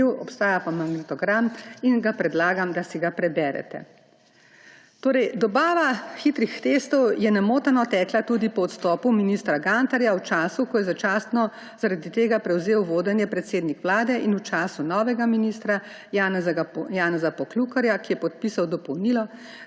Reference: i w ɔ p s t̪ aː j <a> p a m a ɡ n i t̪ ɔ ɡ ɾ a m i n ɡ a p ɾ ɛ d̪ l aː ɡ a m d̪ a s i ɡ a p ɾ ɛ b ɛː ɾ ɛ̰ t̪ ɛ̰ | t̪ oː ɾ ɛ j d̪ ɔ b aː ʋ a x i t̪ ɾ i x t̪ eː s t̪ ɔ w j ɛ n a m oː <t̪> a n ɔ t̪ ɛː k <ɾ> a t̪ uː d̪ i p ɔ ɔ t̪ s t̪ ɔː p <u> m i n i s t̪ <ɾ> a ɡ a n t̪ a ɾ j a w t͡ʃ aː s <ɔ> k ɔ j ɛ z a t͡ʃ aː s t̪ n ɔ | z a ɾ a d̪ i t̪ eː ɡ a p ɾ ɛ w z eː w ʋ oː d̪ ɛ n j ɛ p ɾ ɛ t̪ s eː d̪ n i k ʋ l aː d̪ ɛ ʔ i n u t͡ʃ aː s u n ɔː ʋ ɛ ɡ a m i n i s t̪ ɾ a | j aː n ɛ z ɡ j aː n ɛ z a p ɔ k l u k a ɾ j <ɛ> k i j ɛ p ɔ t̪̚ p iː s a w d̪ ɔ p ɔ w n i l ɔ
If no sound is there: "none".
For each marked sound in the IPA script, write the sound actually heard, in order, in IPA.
a, t̪, l, u, ɾ, u, a

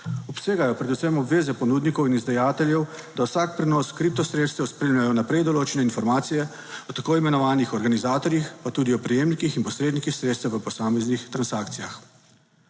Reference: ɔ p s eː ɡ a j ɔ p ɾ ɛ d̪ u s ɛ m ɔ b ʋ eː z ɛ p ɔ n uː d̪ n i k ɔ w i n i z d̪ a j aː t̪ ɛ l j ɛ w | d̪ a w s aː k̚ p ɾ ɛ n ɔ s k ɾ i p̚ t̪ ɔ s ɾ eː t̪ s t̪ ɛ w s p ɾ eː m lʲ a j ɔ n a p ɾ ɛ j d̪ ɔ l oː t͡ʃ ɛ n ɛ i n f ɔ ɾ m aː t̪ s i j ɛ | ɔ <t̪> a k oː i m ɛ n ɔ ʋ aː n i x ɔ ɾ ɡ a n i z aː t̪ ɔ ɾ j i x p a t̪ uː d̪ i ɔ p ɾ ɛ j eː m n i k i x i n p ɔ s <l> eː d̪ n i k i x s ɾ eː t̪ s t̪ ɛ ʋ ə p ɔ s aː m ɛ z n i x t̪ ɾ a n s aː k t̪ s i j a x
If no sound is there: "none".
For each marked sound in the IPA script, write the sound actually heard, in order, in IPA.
t̪, ɾ

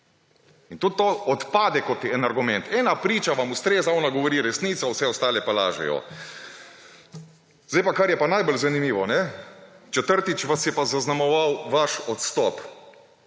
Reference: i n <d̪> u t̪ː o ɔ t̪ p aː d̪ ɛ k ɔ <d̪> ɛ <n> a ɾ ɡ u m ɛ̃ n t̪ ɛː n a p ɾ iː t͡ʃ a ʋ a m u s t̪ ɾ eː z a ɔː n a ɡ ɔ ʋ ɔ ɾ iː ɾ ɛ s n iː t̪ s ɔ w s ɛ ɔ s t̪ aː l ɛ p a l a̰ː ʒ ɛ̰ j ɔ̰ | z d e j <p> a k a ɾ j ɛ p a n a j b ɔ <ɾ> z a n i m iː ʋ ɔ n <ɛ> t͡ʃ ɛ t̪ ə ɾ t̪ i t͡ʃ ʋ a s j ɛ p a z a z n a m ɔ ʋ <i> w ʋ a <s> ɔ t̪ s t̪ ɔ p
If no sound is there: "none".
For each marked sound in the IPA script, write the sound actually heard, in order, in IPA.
t̪, t̪, n, p, l, ɛ, a, ʃ

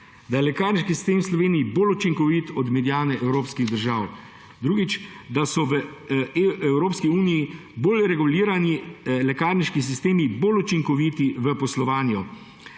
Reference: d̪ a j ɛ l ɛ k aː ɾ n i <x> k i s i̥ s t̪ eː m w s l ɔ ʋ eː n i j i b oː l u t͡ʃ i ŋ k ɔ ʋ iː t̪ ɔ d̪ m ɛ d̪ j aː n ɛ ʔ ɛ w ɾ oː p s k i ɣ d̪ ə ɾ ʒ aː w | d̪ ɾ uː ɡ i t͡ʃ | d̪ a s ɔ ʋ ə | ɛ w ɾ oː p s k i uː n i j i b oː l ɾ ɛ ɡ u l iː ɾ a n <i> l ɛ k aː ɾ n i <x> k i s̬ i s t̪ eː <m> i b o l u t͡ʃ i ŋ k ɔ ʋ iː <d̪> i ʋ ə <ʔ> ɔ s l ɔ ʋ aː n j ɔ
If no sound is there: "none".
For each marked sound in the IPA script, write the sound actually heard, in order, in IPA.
ʃ, i, ʃ, m, t̪, p

